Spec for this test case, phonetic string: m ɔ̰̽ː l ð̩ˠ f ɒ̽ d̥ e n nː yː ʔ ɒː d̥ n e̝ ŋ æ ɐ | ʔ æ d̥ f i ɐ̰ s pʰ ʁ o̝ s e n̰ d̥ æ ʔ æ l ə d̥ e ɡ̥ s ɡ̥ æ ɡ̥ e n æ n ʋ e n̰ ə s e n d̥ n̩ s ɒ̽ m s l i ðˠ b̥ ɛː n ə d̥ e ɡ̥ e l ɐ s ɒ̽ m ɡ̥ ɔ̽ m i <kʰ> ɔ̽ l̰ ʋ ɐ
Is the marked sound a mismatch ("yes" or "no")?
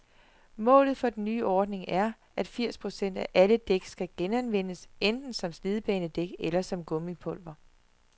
yes